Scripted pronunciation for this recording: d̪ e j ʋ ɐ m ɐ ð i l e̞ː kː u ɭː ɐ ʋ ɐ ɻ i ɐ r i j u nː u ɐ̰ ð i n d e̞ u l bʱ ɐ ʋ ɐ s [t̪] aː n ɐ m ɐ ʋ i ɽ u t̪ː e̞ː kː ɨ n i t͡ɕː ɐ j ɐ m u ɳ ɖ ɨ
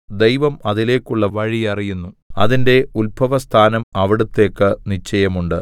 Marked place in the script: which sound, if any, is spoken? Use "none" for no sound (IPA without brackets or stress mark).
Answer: t̪ʰ